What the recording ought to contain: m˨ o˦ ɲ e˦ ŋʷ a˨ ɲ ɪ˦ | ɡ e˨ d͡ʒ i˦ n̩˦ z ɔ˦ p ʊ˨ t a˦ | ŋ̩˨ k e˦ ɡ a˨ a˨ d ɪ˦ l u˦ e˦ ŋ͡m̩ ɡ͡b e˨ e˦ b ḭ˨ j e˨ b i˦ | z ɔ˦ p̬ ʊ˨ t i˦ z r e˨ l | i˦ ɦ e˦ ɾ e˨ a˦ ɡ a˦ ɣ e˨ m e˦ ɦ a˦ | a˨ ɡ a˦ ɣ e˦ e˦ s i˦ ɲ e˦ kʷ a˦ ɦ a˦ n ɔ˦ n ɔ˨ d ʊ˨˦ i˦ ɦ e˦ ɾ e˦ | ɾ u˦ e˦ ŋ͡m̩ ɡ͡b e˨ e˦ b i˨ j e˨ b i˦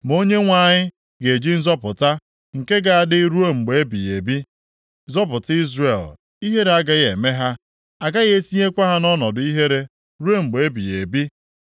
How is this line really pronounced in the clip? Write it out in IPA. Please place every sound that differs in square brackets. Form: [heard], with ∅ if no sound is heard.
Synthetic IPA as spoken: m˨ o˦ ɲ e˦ ŋʷ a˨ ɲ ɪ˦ | ɡ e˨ d͡ʒ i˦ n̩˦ z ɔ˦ p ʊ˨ t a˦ | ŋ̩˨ k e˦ ɡ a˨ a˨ d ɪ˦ [ɾ] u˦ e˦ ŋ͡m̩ ɡ͡b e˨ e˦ b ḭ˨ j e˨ b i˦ | z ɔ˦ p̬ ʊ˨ t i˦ z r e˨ l | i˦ ɦ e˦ ɾ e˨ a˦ ɡ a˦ ɣ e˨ m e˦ ɦ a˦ | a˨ ɡ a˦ ɣ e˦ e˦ s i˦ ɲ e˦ kʷ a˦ ɦ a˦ n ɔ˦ n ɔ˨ d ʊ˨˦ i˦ ɦ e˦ ɾ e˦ | ɾ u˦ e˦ ŋ͡m̩ ɡ͡b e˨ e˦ b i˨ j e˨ b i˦